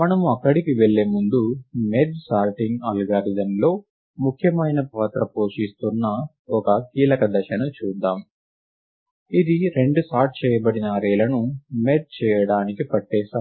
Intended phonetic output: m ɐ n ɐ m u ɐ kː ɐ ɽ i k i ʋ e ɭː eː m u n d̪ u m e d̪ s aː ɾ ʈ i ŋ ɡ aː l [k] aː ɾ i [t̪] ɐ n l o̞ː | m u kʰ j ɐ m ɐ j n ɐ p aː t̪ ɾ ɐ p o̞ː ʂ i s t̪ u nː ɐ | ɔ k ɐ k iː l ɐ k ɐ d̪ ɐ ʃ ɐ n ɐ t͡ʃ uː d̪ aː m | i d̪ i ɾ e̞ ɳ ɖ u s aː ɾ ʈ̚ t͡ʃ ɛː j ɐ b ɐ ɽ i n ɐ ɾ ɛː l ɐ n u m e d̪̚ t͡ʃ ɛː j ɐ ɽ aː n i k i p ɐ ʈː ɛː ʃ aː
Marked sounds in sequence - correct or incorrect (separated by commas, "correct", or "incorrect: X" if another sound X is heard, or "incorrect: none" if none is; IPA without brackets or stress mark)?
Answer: incorrect: ɡ, incorrect: d̪